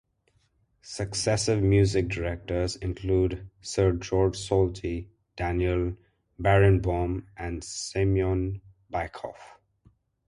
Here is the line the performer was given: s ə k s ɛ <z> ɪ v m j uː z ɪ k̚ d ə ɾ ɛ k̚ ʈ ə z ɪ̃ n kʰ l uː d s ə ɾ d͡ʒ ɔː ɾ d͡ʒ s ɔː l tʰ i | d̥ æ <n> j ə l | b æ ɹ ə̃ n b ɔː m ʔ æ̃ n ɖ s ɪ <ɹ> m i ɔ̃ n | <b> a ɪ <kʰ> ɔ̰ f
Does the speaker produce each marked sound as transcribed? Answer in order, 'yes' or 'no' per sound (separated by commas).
no, yes, no, yes, yes